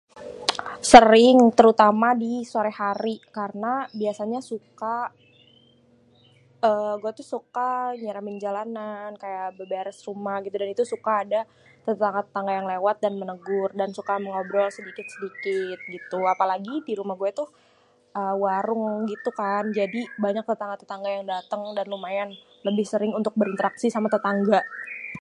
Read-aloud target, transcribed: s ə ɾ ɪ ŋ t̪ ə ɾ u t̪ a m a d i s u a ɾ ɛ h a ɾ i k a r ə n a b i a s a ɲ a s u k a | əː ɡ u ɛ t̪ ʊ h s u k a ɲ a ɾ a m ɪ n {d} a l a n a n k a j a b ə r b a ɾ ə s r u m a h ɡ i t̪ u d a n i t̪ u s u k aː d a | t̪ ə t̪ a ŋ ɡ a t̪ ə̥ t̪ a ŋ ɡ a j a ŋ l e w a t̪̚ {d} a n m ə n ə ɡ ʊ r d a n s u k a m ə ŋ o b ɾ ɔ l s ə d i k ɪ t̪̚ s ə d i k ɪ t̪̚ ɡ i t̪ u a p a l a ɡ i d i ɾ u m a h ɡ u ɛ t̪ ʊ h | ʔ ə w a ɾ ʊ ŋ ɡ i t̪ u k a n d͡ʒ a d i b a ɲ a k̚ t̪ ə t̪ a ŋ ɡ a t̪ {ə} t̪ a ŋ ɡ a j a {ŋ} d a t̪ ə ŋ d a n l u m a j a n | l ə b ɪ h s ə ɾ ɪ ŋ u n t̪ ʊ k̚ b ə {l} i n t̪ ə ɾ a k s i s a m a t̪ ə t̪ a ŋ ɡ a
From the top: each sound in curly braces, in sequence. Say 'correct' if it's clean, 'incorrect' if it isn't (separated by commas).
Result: incorrect, correct, correct, correct, incorrect